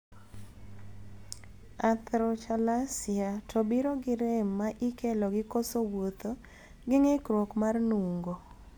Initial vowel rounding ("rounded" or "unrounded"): unrounded